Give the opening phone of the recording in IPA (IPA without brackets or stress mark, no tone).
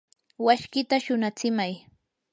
w